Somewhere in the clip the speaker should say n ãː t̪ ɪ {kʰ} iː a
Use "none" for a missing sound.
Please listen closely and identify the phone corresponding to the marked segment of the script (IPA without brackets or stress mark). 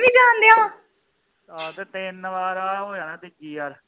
k